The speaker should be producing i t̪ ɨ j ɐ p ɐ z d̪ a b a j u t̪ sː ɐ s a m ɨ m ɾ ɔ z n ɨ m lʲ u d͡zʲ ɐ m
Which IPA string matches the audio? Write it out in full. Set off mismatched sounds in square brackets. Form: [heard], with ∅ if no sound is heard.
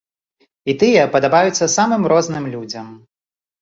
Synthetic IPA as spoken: i t̪ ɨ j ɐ p ɐ [∅] d̪ a b a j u t̪ sː ɐ s a m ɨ m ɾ ɔ z n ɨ m lʲ u d͡zʲ ɐ m